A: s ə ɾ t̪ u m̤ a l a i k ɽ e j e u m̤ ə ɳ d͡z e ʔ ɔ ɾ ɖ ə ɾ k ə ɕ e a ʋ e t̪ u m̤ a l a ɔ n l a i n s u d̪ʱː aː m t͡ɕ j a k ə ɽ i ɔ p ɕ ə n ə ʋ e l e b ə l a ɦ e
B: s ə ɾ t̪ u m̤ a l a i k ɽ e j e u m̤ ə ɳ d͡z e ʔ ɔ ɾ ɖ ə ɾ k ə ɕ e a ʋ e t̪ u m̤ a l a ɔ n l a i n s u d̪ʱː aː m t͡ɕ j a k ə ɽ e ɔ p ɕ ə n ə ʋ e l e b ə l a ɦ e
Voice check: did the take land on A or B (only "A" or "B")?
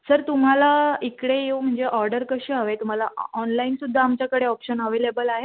B